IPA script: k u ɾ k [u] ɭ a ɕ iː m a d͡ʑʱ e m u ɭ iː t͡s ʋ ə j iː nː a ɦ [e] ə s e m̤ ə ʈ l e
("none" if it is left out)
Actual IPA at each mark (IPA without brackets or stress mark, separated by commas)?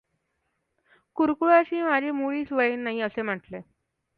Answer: u, i